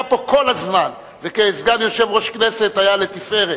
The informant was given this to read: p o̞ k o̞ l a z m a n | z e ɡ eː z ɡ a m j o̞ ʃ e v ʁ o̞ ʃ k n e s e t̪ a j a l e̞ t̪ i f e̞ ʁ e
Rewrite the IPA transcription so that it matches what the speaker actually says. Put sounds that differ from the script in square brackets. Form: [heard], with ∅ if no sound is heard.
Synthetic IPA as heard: p o̞ k o̞ l a z m a n | [v] e [k] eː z ɡ a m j o̞ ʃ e v ʁ o̞ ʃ k n e s e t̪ a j a l e̞ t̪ i f e̞ ʁ e